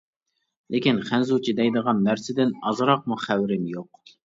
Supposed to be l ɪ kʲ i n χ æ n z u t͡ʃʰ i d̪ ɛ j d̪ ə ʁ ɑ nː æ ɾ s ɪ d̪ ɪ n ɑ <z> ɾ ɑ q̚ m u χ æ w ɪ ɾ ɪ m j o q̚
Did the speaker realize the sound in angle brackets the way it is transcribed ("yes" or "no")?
yes